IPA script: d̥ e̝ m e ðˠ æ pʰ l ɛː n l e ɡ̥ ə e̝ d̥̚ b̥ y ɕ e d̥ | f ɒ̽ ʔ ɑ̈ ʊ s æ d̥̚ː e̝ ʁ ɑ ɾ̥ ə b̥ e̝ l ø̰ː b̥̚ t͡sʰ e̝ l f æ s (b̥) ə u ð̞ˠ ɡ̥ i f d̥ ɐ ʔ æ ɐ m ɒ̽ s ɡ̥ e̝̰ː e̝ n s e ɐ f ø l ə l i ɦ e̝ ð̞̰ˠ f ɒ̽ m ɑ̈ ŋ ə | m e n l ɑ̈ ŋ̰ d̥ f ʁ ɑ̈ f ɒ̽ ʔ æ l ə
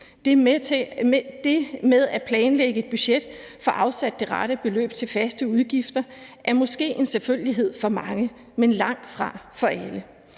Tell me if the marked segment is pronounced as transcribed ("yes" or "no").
no